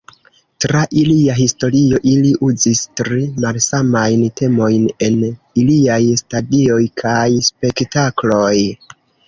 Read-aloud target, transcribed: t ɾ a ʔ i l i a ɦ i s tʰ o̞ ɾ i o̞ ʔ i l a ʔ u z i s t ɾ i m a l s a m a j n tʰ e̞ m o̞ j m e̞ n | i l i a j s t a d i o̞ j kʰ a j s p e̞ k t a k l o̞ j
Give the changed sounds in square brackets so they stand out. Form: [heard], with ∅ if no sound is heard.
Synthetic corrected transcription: t ɾ a ʔ i l i a ɦ i s [t] o̞ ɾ i o̞ ʔ i l [i] ʔ u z i s t ɾ i m a l s a m a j n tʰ e̞ m o̞ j [n] e̞ n | i l i a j s t a d i o̞ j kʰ a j s p e̞ k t a k l o̞ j

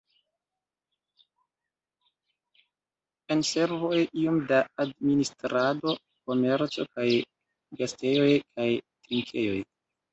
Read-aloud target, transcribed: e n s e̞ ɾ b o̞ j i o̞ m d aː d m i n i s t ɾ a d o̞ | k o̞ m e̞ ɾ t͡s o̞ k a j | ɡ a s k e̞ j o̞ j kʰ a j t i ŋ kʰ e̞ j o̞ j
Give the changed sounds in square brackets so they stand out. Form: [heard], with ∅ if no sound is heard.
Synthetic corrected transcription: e n s e̞ ɾ [v] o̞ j i o̞ m d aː d m i n i s t ɾ a d o̞ | k o̞ m e̞ ɾ t͡s o̞ k a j | ɡ a s [t] e̞ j o̞ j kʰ a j t i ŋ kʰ e̞ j o̞ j

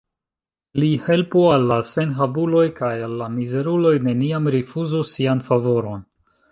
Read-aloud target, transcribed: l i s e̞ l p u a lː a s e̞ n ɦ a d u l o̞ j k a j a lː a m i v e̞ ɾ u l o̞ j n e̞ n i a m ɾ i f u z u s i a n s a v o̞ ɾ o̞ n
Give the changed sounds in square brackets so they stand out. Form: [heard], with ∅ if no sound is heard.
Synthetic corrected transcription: l i [h] e̞ l p u a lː a s e̞ n ɦ a [b] u l o̞ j k a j a lː a m i [z] e̞ ɾ u l o̞ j n e̞ n i a m ɾ i f u z u s i a n [f] a v o̞ ɾ o̞ n

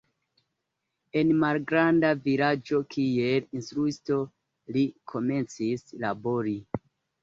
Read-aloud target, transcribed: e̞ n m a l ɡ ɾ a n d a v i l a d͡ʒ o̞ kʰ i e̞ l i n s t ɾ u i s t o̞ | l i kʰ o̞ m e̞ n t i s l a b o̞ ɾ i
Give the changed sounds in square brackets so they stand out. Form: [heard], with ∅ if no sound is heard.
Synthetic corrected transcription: e̞ n m a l ɡ ɾ a n d a v i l a d͡ʒ o̞ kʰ i e̞ l i n s t ɾ u i s t o̞ | l i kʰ o̞ m e̞ n [t͡s] i s l a b o̞ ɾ i

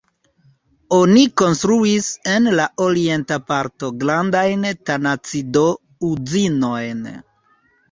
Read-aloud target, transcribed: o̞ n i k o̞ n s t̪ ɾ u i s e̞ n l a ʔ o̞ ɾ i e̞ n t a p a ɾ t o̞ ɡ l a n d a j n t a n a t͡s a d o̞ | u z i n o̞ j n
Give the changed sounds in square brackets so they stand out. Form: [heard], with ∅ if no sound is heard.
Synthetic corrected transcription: o̞ n i k o̞ n s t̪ ɾ u i s e̞ n l a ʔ o̞ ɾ i e̞ n t a p a ɾ t o̞ ɡ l a n d a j n t a n a t͡s [i] d o̞ | u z i n o̞ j n

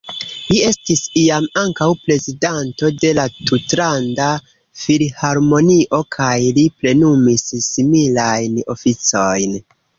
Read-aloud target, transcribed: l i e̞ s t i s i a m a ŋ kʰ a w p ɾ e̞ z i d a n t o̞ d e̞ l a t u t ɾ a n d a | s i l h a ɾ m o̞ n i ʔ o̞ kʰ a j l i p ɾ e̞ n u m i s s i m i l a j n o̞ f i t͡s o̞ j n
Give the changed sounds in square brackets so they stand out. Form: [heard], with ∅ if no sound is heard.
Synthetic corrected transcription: l i e̞ s t i s i a m a ŋ [k] a w p ɾ e̞ z i d a n t o̞ d e̞ l a t u t ɾ a n d a | [f] i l h a ɾ m o̞ n i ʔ o̞ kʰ a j l i p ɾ e̞ n u m i s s i m i l a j n o̞ f i t͡s o̞ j n

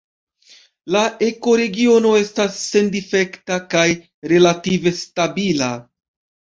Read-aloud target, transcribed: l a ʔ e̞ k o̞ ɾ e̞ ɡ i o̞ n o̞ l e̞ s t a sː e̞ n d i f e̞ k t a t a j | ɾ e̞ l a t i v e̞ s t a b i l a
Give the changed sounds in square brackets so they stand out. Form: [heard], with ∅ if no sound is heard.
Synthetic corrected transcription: l a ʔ e̞ k o̞ ɾ e̞ ɡ i o̞ n o̞ [∅] e̞ s t a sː e̞ n d i f e̞ k t a [k] a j | ɾ e̞ l a t i v e̞ s t a b i l a

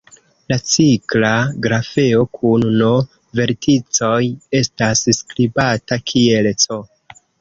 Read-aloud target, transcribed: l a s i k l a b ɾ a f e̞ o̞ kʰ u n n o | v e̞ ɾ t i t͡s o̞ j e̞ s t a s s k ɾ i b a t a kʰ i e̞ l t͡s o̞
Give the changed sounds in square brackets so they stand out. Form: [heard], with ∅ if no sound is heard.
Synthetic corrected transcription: l a [t͡s] i k l a [ɡ] ɾ a f e̞ o̞ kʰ u n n o | v e̞ ɾ t i t͡s o̞ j e̞ s t a s s k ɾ i b a t a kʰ i e̞ l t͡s o̞

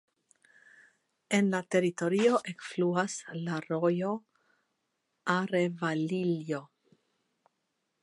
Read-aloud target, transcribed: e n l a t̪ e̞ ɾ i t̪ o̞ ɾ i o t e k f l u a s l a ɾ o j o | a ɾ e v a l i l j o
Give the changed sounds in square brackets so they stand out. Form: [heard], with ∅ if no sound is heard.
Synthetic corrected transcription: e n l a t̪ e̞ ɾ i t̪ o̞ ɾ i o [ʔ] e k f l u a s l a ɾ o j o | a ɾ e v a l i l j o

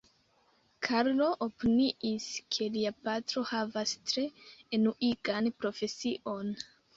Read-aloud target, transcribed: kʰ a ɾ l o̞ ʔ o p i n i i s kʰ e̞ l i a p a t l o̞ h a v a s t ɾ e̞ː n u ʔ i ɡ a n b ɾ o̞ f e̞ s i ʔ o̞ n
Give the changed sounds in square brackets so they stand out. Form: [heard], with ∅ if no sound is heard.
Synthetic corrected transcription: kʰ a ɾ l o̞ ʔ o p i n i i s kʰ e̞ l i a p a t [ɾ] o̞ h a v a s t ɾ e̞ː n u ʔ i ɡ a n [p] ɾ o̞ f e̞ s i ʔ o̞ n

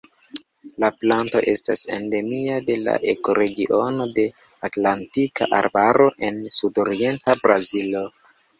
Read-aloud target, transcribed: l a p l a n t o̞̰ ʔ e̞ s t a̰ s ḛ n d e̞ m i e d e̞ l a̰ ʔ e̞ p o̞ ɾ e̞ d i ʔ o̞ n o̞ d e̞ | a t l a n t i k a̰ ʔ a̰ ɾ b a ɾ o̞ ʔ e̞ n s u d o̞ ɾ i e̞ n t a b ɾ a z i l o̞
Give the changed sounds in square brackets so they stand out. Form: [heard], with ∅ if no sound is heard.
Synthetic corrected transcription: l a p l a n t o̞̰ ʔ e̞ s t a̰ s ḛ n d e̞ m i [a] d e̞ l a̰ ʔ e̞ [k] o̞ ɾ e̞ [ɡ] i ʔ o̞ n o̞ d e̞ | a t l a n t i k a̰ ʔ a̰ ɾ b a ɾ o̞ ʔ e̞ n s u d o̞ ɾ i e̞ n t a b ɾ a z i l o̞

